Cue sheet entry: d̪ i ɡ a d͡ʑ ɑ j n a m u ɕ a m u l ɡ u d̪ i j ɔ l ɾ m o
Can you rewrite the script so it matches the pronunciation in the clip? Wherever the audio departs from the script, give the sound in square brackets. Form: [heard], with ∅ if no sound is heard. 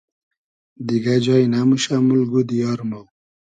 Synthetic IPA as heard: d̪ i ɡ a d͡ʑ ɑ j n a m u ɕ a m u l ɡ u d̪ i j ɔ [∅] ɾ m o